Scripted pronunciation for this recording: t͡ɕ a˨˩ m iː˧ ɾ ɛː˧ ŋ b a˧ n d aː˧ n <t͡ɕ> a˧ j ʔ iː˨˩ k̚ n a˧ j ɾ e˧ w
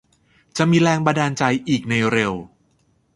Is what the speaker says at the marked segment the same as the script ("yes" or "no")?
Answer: yes